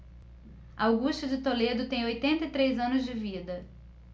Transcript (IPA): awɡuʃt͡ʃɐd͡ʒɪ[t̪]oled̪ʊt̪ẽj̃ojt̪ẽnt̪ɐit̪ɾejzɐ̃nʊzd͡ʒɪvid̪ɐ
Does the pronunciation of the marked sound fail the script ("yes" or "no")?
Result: no